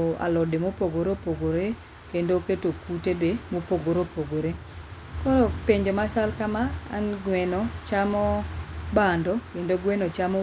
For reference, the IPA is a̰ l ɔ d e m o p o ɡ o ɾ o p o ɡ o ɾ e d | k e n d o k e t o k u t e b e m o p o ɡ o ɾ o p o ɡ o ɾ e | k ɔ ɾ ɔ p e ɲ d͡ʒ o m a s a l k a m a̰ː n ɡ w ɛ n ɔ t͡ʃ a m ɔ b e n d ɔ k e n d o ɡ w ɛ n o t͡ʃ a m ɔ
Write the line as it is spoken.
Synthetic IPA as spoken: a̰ l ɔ d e m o p o ɡ o ɾ o p o ɡ o ɾ e | k e n d o k e t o k u t e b e m o p o ɡ o ɾ o p o ɡ o ɾ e | k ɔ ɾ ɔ p e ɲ d͡ʒ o m a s a l k a m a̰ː n ɡ w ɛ n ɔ t͡ʃ a m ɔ b a n d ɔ k e n d o ɡ w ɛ n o t͡ʃ a m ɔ